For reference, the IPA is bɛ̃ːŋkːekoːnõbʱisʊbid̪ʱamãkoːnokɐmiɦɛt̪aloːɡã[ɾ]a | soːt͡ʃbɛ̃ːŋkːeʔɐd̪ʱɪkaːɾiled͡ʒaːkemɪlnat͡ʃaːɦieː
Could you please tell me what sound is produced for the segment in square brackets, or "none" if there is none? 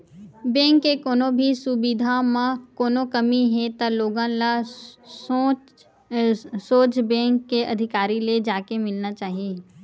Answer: l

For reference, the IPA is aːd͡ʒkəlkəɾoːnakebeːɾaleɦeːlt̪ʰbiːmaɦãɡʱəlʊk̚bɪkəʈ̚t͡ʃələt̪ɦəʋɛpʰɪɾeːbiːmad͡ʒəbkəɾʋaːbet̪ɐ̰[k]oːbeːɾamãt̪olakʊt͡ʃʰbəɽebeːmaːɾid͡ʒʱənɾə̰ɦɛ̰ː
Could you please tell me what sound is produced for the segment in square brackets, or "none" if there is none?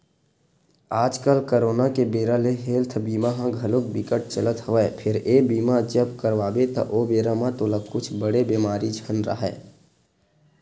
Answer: ʔ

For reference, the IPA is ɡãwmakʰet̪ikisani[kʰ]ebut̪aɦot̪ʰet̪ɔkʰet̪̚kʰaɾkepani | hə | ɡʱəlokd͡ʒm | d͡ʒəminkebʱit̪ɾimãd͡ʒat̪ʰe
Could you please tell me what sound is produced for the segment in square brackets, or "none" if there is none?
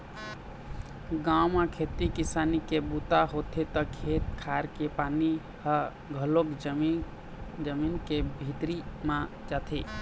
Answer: k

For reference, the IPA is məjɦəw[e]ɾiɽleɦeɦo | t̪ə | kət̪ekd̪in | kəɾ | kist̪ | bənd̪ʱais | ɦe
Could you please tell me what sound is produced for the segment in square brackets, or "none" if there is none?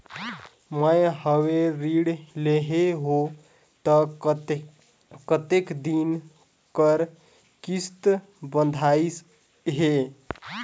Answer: e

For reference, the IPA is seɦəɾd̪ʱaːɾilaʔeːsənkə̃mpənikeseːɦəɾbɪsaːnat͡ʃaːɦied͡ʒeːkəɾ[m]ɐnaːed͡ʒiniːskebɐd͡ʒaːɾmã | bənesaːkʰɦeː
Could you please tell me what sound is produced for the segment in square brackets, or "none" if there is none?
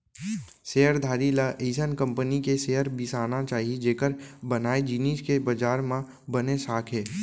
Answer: b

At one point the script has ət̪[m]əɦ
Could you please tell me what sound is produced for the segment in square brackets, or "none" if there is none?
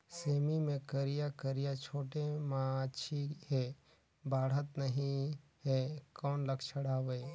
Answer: n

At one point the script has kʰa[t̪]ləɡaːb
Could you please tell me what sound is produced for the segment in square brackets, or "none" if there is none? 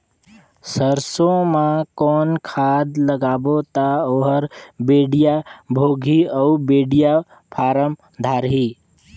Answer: d̪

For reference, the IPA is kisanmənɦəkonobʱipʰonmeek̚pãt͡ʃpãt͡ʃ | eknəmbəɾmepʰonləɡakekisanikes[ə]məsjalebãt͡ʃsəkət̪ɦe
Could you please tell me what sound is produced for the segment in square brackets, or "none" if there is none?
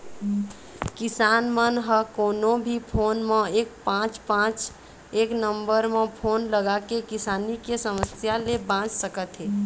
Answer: ə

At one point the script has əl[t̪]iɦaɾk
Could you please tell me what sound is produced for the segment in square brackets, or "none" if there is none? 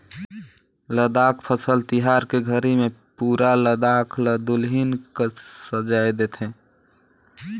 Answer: t̪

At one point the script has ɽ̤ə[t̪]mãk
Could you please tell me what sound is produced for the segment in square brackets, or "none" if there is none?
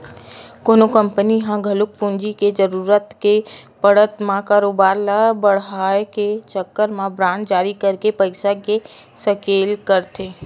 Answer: t̪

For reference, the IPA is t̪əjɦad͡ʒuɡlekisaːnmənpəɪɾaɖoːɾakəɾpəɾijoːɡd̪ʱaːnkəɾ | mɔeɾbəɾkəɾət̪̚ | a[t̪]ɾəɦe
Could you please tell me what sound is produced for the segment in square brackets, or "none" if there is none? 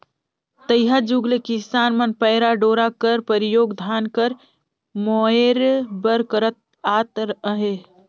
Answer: t̪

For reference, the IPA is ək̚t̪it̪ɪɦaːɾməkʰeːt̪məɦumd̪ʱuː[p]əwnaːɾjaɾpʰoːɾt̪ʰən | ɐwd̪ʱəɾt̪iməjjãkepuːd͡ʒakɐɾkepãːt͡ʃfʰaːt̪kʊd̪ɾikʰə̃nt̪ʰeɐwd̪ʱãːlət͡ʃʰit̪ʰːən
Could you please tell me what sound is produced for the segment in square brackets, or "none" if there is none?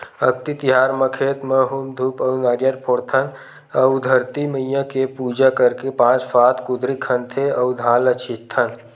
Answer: p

